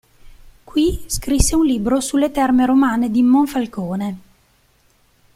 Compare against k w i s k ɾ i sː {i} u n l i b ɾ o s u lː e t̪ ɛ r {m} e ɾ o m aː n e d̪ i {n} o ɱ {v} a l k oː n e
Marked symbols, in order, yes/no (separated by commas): no, yes, no, no